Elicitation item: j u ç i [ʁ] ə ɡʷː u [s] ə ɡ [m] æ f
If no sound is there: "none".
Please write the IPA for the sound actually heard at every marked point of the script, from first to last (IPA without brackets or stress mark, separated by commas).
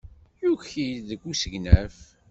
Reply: ð, s, n